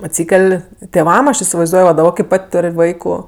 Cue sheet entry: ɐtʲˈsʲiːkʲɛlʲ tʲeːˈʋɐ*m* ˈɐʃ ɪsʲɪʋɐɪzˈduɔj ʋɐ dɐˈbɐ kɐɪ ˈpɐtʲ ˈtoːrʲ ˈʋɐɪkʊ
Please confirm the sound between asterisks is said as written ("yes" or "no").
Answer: yes